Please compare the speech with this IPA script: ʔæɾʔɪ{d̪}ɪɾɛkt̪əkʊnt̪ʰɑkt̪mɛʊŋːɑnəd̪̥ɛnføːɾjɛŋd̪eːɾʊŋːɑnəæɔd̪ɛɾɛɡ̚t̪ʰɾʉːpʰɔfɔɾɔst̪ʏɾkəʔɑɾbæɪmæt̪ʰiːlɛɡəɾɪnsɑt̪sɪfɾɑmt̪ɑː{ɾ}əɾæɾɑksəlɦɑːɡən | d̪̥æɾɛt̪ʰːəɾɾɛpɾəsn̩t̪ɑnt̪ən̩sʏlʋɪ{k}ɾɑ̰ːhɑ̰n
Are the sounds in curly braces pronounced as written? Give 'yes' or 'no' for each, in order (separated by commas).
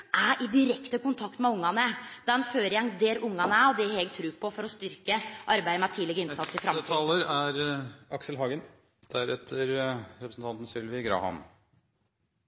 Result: yes, no, no